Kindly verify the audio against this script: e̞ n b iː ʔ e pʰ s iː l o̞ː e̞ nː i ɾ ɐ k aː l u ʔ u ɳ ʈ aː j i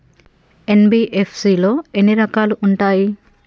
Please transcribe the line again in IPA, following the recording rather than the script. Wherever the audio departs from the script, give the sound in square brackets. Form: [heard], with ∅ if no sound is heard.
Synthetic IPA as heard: e̞ n b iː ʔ e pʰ s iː l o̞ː e̞ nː i ɾ ɐ k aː l u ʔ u ɳ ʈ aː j i